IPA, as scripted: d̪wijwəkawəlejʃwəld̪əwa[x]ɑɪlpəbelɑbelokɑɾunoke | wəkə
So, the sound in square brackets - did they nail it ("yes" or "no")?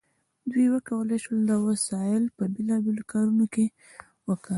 no